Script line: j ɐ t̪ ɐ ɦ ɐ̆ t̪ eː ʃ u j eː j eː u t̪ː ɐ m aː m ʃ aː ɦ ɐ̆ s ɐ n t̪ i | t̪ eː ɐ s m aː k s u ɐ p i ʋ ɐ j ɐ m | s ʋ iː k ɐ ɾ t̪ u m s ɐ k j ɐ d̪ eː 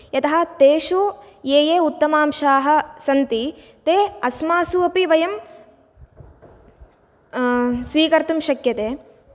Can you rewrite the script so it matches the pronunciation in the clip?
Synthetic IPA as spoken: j ɐ t̪ ɐ ɦ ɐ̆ t̪ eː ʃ u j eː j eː u t̪ː ɐ m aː m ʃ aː ɦ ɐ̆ s ɐ n t̪ i | t̪ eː ɐ s m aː s u ɐ p i ʋ ɐ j ɐ m | s ʋ iː k ɐ ɾ t̪ u m ʃ ɐ k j ɐ t̪ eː